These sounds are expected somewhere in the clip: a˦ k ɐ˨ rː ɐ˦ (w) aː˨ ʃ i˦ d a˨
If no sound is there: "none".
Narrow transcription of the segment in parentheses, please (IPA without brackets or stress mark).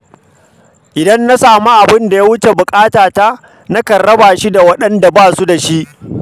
b